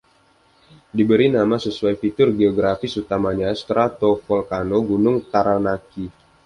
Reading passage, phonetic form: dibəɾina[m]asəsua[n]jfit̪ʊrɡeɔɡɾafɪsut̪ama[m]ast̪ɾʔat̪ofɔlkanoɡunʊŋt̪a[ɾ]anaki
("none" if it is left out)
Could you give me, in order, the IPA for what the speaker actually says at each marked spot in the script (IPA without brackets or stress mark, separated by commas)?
m, none, ɲ, ɾ